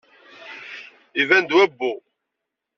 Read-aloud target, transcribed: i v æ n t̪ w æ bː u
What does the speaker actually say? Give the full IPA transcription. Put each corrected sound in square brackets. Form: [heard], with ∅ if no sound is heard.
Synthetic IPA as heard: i v æ n [d̪] w æ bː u